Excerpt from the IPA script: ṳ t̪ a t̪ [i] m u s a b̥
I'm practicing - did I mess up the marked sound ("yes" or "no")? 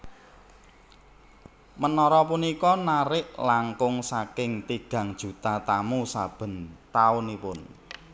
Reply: yes